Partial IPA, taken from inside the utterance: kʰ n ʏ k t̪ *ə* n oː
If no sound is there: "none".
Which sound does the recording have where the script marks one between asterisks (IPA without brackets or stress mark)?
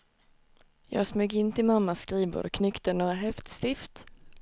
ə